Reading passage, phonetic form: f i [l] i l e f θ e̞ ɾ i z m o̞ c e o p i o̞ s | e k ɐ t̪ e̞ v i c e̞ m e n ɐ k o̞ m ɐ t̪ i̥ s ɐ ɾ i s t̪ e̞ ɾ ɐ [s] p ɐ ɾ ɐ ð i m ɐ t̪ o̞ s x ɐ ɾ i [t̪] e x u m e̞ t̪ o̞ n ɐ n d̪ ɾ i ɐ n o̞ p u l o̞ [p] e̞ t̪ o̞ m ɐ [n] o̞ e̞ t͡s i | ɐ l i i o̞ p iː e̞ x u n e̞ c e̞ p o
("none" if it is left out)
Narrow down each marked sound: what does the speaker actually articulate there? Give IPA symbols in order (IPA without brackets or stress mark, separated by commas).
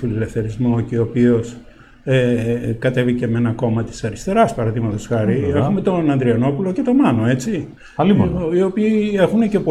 l, s, none, c, n